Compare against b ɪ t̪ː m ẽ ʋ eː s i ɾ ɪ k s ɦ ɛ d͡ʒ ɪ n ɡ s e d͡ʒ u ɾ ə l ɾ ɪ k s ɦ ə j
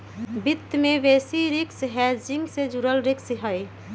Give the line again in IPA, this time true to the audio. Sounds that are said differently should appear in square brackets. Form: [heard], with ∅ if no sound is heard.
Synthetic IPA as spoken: b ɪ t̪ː m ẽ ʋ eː s i ɾ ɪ k s ɦ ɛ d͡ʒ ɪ [ŋ] ɡ s e d͡ʒ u ɾ ə l ɾ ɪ k s ɦ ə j